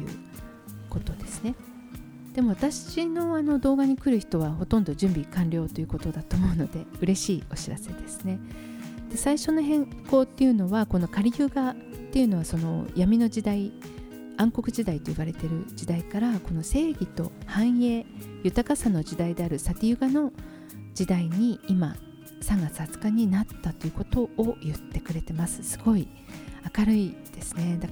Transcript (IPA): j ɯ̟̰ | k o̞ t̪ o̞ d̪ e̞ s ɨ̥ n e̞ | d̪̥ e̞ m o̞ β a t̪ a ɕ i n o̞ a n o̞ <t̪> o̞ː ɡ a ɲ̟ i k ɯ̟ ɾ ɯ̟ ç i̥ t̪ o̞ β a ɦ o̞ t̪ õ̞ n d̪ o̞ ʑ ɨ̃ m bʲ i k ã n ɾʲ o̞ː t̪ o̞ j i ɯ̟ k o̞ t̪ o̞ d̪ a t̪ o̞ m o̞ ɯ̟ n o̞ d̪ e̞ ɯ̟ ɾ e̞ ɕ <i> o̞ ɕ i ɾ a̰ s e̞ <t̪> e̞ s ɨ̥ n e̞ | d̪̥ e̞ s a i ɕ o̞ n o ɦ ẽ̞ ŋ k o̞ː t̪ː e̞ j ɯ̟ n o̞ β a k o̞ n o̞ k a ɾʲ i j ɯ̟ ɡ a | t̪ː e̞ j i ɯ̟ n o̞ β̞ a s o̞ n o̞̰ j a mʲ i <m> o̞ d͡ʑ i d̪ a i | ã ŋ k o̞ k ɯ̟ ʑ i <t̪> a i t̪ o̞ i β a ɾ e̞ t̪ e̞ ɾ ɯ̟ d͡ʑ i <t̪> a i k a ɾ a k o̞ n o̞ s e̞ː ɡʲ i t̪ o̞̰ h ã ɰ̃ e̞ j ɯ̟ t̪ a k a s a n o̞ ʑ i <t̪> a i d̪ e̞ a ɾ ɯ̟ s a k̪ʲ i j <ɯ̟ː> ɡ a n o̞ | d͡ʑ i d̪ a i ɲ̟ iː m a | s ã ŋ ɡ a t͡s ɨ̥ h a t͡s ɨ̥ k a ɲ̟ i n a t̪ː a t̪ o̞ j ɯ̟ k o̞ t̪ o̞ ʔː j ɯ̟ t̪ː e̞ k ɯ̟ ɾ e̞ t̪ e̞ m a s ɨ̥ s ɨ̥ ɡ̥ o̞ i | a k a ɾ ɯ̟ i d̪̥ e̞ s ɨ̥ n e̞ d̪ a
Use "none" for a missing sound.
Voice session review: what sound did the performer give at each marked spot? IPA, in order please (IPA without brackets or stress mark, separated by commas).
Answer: d̪, iː, d̪, n, d̪, d̪, d̪, ɯ̟